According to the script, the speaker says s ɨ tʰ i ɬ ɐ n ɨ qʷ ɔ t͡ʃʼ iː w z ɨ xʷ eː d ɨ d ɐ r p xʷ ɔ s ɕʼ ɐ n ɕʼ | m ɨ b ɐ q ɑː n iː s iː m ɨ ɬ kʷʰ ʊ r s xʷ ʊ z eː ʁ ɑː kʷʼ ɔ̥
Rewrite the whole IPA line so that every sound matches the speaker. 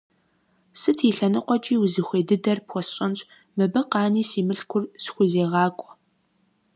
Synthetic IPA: s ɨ tʰ i ɬ ɐ n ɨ qʷ ɔ t͡ʃʼ iː w z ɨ xʷ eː d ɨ d ɐ r p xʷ ɔ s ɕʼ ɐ n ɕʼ | m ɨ b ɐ q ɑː n iː s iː m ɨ ɬ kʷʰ ʊ r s xʷ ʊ z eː ʁ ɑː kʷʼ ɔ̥